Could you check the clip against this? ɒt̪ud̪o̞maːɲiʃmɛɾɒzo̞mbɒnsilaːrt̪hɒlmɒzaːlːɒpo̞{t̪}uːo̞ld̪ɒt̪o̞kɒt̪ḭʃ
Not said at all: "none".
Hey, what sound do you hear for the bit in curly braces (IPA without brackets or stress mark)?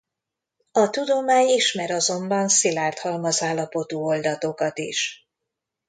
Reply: t̪